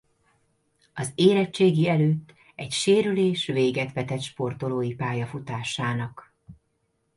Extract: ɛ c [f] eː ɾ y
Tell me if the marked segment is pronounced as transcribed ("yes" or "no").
no